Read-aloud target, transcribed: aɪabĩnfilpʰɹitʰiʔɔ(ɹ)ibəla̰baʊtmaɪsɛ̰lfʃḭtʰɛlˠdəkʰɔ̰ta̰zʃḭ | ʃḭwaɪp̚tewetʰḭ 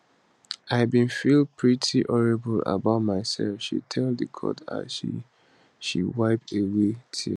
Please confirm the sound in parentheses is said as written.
yes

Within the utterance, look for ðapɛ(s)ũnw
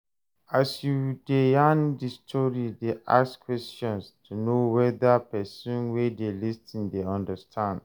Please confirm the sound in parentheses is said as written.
yes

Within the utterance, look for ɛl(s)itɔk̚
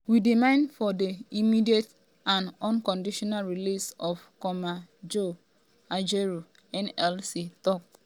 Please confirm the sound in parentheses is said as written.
yes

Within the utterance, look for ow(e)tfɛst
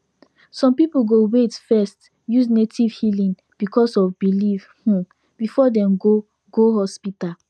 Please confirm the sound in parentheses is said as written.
yes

